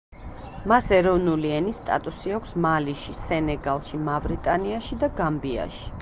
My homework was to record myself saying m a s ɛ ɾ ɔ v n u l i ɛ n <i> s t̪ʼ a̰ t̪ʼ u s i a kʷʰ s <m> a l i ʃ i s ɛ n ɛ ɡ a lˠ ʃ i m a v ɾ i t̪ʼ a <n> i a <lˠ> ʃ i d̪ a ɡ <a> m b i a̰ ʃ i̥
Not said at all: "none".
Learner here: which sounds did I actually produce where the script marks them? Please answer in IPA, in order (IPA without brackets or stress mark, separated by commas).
i, m, n, none, a